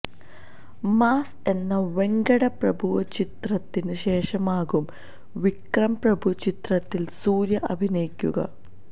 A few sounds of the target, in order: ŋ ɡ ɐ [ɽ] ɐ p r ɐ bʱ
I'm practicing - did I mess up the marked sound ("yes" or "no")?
no